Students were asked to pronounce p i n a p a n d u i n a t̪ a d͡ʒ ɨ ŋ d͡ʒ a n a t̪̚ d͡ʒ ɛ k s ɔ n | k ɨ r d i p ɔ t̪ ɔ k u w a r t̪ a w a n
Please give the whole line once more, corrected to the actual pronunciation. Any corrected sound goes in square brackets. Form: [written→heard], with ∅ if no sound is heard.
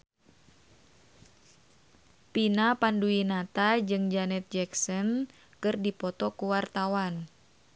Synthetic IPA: p i n a p a n d u i n a t̪ a d͡ʒ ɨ ŋ d͡ʒ a n [a→ɛ] t̪̚ d͡ʒ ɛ k s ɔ n | k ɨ r d i p ɔ t̪ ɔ k u w a r t̪ a w a n